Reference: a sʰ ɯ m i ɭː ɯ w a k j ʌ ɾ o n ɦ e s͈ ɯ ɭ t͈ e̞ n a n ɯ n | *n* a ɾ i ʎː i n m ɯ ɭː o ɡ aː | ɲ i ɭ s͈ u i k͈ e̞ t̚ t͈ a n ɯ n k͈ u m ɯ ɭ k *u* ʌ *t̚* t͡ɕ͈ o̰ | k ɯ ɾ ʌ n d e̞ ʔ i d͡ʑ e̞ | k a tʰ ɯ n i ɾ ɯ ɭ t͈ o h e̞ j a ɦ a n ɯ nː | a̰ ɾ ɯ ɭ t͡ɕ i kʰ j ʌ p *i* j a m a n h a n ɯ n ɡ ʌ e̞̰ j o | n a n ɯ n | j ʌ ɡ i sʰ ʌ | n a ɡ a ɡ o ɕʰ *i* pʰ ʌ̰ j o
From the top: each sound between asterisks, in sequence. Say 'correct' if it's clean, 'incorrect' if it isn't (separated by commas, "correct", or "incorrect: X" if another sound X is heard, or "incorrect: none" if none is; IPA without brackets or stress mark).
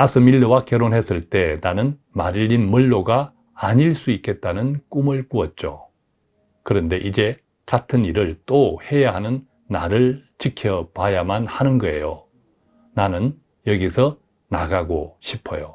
incorrect: m, correct, correct, incorrect: a, correct